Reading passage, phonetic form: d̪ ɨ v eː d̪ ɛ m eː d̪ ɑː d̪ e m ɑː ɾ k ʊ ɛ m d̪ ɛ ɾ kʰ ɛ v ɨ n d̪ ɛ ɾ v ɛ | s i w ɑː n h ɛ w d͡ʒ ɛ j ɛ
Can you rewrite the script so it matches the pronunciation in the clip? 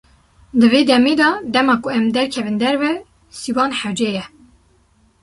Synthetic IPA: d̪ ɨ v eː d̪ ɛ m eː d̪ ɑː d̪ ɛ m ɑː k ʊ ɛ m d̪ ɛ ɾ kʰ ɛ v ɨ n d̪ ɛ ɾ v ɛ | s i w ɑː n ħ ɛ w d͡ʒ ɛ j ɛ